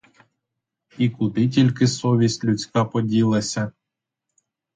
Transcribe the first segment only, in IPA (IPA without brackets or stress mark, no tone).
i